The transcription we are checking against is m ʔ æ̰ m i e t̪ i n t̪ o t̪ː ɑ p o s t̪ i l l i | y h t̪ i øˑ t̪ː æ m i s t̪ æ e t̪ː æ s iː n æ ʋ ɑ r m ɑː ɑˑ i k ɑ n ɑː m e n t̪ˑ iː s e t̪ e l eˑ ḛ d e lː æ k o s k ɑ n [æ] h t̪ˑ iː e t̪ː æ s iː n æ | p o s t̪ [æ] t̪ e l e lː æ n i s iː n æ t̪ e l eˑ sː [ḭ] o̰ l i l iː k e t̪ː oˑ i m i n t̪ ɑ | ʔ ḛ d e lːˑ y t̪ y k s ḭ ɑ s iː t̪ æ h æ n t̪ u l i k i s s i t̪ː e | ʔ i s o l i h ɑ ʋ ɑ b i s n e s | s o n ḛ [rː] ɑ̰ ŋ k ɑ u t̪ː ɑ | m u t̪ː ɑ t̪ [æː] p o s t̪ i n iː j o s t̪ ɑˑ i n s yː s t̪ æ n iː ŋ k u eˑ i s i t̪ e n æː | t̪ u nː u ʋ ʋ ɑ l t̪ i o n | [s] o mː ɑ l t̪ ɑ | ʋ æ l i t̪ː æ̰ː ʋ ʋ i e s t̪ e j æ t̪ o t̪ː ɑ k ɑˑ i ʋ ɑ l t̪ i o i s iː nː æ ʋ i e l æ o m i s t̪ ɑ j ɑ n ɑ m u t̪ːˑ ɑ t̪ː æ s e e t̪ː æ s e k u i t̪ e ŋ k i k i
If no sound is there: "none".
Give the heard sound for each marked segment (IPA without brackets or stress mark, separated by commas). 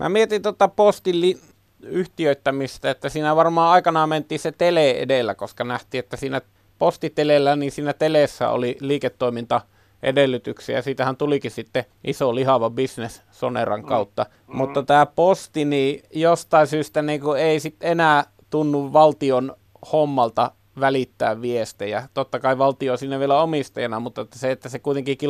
æ, i, æ̰, r, æː, h